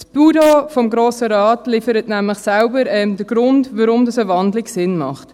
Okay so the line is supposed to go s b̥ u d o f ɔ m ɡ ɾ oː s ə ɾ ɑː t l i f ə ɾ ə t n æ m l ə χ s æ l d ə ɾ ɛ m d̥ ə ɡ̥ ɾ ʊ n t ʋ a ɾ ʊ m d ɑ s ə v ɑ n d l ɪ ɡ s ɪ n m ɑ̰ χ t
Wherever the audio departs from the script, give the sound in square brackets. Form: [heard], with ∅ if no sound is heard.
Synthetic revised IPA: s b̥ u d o f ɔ m ɡ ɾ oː s ə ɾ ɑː t l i f ə ɾ ə t n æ m l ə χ s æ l [b] ə ɾ ɛ m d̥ ə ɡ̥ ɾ ʊ n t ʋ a ɾ ʊ m d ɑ s ə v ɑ n d l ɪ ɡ s ɪ n m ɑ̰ χ t